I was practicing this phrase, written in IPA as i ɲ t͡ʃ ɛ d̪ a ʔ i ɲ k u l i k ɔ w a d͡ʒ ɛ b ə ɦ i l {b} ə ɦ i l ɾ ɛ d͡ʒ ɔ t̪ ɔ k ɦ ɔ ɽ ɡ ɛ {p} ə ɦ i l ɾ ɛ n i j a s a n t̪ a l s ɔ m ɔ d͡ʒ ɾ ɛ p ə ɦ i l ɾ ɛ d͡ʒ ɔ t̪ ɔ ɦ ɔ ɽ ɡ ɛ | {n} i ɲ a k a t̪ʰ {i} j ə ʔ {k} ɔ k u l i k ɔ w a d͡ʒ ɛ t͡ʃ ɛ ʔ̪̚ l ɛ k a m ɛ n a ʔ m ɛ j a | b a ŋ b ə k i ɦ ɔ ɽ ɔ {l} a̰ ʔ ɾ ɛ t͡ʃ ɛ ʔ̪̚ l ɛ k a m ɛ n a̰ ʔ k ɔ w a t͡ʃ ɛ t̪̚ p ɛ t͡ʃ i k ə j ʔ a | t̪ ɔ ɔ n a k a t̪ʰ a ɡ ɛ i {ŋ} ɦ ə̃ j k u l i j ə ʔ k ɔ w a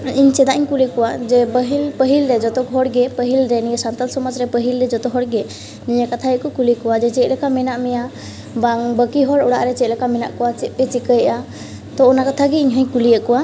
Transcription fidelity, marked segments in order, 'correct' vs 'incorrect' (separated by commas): incorrect, correct, correct, incorrect, correct, incorrect, incorrect